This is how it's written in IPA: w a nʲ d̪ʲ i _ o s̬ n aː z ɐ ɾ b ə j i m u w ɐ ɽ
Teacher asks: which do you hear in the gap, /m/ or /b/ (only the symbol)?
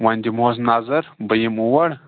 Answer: m